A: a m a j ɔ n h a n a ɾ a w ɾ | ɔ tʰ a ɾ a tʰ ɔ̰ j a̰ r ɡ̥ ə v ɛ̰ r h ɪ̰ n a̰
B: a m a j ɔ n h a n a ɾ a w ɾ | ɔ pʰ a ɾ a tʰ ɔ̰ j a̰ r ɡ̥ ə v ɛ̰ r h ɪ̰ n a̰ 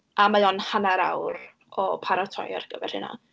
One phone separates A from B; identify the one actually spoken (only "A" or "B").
B